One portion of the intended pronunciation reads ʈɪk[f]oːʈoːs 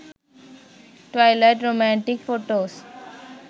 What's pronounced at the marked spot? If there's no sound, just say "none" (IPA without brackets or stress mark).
f